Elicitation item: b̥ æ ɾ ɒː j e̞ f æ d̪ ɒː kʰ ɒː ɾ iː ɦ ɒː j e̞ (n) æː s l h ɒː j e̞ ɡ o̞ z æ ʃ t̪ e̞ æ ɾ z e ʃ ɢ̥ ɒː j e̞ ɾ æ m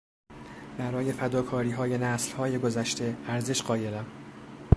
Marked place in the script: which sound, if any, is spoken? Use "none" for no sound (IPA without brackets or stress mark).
n